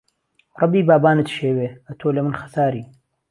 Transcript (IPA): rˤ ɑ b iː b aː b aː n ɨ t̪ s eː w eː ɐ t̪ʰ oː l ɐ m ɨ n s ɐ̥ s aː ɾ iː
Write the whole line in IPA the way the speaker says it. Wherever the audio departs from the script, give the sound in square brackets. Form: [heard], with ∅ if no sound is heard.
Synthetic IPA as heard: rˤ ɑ b iː b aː b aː n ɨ t̪ [ʃ] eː w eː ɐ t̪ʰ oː l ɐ m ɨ n [x] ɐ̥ s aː ɾ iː